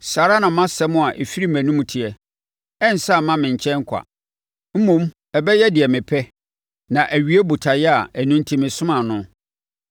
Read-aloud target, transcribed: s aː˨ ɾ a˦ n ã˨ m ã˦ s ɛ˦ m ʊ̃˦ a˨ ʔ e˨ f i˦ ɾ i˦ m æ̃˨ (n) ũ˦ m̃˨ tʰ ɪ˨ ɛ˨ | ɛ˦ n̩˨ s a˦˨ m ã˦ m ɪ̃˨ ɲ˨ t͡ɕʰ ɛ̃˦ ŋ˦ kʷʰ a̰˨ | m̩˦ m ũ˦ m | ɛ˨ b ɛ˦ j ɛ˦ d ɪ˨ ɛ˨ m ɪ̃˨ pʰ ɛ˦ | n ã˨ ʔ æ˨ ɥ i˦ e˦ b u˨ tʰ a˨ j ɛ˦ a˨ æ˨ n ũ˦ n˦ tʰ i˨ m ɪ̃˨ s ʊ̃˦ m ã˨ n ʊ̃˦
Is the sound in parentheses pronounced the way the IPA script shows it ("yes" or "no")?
yes